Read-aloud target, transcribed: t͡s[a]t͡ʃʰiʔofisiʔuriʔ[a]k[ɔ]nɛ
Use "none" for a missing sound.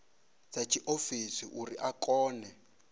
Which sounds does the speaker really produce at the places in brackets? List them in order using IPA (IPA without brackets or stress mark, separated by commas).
a, a, ɔː